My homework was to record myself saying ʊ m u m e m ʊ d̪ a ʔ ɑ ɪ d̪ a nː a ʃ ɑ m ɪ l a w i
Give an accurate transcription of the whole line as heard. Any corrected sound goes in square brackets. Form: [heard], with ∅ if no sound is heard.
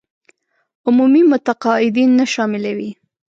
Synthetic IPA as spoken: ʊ m u m [i] m ʊ [t̪] a [q] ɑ ɪ d̪ [i] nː a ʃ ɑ m ɪ l a w i